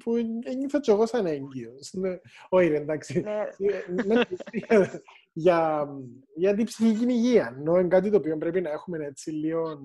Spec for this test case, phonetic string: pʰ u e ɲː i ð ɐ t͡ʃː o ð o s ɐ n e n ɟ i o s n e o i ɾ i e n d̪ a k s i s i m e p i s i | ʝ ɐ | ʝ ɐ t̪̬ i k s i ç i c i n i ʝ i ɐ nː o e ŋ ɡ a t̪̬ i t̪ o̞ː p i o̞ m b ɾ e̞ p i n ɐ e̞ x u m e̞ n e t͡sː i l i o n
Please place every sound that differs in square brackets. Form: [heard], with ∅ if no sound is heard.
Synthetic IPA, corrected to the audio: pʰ u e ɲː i [θ] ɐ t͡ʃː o [ɣ] o s ɐ n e [ɲ] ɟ i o s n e o i ɾ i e n d̪ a k s i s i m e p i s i | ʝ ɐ | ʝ ɐ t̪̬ i [p] s i ç i c i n i ʝ i ɐ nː o e ŋ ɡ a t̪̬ i t̪ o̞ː p i o̞ m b ɾ e̞ p i n ɐ e̞ x u m e̞ n e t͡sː i l i o n